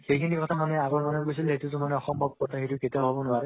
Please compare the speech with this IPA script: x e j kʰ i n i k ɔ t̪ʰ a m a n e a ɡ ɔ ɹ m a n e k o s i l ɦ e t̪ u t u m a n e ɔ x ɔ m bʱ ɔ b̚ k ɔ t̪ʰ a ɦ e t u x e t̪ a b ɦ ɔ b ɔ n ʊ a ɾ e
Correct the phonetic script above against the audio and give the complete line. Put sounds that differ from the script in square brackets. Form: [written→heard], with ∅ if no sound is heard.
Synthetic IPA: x e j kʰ i n i k ɔ t̪ʰ a m a n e a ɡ ɔ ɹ m a n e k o s i l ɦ e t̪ u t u m a n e ɔ x ɔ m bʱ ɔ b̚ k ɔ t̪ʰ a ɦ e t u [x→k] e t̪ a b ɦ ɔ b ɔ n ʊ a ɾ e